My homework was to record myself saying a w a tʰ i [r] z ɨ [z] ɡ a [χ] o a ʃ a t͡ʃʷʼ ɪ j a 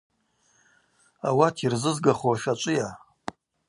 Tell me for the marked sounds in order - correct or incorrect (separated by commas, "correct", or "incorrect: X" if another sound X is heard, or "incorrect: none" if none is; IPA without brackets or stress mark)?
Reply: correct, correct, correct